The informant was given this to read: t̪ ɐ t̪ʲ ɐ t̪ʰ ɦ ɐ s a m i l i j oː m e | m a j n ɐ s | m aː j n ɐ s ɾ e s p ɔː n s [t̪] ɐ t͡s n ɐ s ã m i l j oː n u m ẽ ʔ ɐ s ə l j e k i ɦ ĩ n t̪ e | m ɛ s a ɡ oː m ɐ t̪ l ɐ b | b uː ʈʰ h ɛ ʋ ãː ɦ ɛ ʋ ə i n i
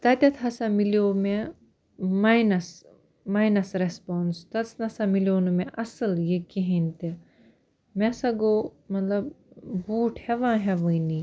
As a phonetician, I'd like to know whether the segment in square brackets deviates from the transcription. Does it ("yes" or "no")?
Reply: no